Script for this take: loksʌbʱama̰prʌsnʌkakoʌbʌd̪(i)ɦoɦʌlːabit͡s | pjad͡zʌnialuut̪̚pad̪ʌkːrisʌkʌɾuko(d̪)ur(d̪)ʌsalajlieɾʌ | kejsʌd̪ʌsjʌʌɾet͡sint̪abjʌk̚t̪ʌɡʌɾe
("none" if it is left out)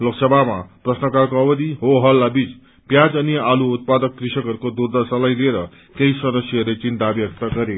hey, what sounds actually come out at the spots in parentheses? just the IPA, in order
i, d̪, d̪

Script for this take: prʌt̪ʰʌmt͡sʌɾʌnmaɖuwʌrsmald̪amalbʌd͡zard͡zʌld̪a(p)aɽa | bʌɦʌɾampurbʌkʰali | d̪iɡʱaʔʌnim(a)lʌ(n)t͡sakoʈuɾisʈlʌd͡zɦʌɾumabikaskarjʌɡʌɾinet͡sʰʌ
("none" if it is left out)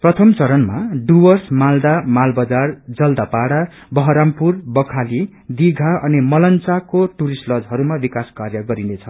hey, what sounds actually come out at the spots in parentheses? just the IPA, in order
p, ʌ, n

